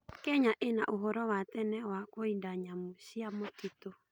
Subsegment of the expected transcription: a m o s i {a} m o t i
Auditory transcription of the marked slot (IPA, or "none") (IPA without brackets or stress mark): a